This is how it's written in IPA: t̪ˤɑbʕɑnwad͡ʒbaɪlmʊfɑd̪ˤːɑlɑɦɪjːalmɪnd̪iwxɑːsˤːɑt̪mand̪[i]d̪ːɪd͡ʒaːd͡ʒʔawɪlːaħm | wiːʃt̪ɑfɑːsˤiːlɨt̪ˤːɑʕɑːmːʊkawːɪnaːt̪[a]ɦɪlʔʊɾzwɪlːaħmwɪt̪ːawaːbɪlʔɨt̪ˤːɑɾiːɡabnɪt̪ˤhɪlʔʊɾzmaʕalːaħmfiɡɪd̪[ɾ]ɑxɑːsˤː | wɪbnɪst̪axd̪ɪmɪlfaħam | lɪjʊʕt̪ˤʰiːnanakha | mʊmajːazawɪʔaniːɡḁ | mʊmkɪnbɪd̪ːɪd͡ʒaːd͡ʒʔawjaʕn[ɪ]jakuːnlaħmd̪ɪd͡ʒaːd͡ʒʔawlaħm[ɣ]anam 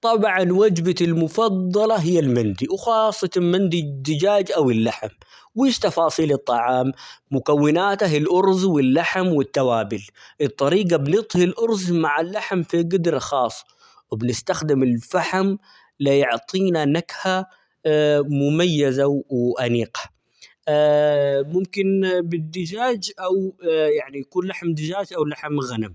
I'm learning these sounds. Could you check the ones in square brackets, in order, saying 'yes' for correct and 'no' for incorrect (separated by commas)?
yes, yes, yes, no, yes